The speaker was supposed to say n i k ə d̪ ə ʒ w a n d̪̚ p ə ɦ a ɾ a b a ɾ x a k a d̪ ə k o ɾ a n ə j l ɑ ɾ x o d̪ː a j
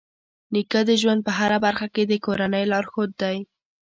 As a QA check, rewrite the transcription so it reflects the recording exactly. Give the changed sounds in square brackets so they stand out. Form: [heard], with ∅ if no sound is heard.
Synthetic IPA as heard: n i k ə d̪ ə ʒ w a n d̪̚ p ə ɦ a ɾ a b a ɾ x a k [e] d̪ ə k o ɾ a n ə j l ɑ ɾ x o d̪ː a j

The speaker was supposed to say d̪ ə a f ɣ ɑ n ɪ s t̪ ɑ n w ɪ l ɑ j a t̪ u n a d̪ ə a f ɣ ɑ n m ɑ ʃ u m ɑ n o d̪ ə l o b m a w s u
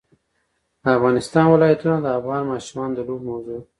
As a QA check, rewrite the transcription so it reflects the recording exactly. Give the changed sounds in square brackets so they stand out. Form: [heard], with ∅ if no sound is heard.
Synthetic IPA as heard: d̪ ə a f ɣ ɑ n ɪ s t̪ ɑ n w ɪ l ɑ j a t̪ u n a d̪ ə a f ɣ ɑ n m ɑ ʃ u m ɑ n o d̪ ə l o b m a w [z] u

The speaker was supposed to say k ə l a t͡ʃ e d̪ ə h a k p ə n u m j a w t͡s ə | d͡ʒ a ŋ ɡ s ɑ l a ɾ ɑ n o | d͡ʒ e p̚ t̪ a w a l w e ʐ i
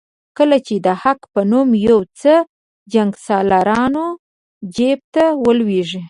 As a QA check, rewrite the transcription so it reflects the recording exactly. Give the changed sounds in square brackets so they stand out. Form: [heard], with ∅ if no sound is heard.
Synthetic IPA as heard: k ə l a t͡ʃ e d̪ ə h a k p ə n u m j a w t͡s ə | d͡ʒ a ŋ ɡ s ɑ l a ɾ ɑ n o | d͡ʒ e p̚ t̪ a w [ə] l w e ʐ i

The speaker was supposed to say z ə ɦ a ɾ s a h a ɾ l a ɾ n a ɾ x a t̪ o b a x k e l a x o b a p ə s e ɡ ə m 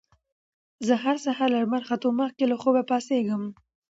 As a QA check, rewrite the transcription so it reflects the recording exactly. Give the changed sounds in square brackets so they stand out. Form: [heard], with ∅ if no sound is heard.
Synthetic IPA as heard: z ə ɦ a ɾ s a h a ɾ l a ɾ [m] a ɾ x a t̪ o [m] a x k e l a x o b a p [ɑ] s e ɡ ə m

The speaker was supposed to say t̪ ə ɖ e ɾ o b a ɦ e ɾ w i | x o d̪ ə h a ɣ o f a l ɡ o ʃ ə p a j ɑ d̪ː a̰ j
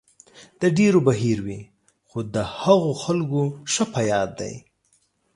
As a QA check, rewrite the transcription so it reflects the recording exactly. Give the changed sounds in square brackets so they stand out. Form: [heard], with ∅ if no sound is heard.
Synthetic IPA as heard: [d̪] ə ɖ e ɾ o b a ɦ [i] ɾ w i | x o d̪ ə h a ɣ o [x] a l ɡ o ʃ ə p a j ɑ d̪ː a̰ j

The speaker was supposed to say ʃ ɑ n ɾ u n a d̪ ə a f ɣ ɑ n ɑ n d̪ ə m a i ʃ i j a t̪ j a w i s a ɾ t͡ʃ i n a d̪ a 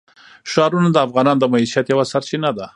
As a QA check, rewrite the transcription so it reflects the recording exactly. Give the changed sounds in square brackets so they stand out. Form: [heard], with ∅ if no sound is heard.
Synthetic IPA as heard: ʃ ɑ [∅] ɾ u n a d̪ ə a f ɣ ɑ n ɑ n d̪ ə m a i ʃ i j a t̪ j a w [a] s a ɾ t͡ʃ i n a d̪ a

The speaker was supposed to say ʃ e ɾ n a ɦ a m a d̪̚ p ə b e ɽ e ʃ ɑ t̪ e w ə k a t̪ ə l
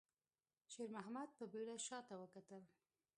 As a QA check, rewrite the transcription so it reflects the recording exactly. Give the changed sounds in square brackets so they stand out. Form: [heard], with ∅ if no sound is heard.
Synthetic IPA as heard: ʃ e ɾ [m] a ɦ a m a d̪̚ p ə b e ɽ [a] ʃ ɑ t̪ [a] w ə k a t̪ ə l

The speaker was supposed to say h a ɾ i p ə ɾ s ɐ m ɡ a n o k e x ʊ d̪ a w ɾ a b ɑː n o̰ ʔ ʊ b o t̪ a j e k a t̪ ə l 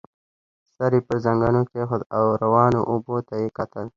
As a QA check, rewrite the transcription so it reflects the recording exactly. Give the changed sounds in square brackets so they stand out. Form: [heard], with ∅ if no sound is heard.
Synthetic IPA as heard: [s] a ɾ i p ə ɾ [z] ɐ [ŋ] ɡ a n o k e x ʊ d̪ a w ɾ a [w] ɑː n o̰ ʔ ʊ b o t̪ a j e k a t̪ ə l

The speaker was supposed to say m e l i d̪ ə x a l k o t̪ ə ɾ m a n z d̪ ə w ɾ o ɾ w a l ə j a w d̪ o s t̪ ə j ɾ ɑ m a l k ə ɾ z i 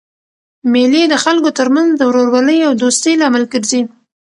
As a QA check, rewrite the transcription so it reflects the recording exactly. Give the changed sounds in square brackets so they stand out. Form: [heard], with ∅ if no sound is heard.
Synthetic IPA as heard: m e l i d̪ ə x a l k o t̪ ə ɾ m a n z d̪ ə w ɾ o ɾ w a l ə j a w d̪ o s t̪ ə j [l] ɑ m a l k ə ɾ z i

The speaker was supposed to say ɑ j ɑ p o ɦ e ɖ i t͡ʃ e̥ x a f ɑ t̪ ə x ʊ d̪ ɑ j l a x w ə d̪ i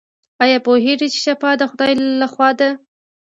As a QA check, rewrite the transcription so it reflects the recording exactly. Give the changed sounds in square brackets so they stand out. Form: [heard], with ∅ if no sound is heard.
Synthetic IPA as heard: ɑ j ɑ p o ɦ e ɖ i t͡ʃ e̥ [ʃ] a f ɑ [d̪] ə x ʊ d̪ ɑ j l a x w [ɑ] d̪ [a]

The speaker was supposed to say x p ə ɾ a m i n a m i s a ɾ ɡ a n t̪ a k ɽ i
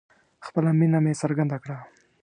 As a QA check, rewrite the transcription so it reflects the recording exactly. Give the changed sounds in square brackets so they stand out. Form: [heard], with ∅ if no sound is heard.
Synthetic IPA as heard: x p ə [l] a m i n a m [e] s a ɾ ɡ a n [d̪] a k ɽ [a]

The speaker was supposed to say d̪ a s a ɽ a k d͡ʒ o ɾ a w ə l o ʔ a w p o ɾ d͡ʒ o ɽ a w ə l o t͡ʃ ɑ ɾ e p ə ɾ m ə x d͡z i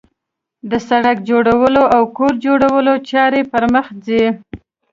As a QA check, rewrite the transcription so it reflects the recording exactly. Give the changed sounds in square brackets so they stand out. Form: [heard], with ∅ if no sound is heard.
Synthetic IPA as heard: d̪ [ə] s a ɽ a k d͡ʒ o [ɽ] a w ə l o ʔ a w [k] o ɾ d͡ʒ o ɽ a w ə l o t͡ʃ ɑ ɾ e p ə ɾ m ə x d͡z i

